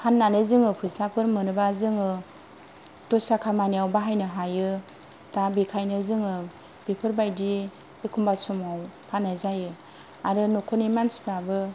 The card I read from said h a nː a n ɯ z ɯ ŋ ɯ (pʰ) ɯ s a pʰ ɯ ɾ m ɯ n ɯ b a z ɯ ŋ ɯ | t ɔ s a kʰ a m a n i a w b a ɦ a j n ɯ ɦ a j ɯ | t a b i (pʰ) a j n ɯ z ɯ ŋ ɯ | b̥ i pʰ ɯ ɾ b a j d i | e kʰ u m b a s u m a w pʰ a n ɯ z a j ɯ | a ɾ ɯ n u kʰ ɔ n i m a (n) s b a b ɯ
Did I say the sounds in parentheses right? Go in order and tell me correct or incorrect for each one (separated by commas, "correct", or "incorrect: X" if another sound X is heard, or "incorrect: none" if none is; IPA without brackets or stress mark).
correct, incorrect: kʰ, correct